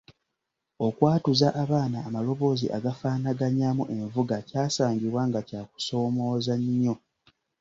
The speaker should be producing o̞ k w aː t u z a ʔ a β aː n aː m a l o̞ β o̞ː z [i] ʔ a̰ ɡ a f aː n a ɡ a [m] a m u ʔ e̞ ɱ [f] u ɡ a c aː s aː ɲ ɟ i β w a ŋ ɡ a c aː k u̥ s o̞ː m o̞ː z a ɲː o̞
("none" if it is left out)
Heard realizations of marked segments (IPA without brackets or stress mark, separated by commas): i, ɲ, v